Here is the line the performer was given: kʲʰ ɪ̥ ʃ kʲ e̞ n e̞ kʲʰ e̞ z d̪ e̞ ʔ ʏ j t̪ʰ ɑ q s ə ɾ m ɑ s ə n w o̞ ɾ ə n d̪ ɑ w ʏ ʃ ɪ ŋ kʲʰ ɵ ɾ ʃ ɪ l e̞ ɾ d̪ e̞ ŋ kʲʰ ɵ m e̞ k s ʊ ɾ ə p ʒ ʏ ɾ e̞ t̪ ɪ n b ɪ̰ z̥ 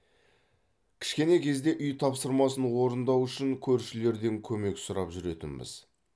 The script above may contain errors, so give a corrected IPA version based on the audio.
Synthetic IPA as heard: kʲʰ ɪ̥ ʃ kʲ e̞ n e̞ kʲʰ e̞ z d̪ e̞ ʔ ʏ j t̪ʰ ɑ p s ə ɾ m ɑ s ə n w o̞ ɾ ə n d̪ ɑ w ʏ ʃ ɪ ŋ kʲʰ ɵ ɾ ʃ ɪ l e̞ ɾ d̪ e̞ ŋ kʲʰ ɵ m e̞ k s ʊ ɾ ɑ p ʒ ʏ ɾ e̞ t̪ ɪ n b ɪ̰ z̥